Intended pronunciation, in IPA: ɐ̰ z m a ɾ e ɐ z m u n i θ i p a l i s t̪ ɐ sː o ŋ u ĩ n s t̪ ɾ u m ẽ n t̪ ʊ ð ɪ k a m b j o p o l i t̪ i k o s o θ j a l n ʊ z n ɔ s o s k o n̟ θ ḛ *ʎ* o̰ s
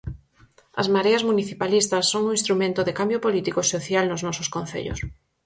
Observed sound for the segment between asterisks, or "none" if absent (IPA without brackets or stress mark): ʎ